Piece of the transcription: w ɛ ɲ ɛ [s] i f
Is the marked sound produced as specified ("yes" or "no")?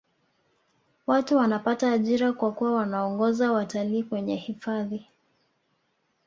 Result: no